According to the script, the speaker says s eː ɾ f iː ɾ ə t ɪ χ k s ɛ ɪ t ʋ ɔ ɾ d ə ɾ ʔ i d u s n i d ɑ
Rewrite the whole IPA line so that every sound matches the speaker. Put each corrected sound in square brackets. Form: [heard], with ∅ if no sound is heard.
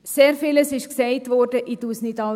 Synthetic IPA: s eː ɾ f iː [l] ə [s] ɪ [ʃ] k s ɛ ɪ t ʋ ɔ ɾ d ə [∅] ʔ i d u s n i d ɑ